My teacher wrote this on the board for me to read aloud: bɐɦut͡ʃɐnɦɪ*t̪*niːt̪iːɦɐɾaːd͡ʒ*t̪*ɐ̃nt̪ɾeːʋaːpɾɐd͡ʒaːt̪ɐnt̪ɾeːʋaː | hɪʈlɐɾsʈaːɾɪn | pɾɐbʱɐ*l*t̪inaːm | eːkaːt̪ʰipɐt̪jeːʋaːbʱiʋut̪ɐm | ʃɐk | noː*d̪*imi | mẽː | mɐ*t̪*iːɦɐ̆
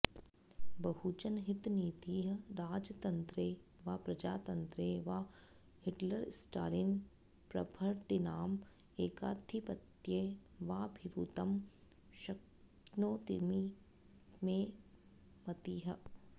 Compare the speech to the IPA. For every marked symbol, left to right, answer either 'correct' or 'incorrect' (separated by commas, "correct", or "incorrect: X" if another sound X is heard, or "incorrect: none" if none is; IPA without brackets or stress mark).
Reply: correct, correct, incorrect: ɾ, incorrect: t̪, correct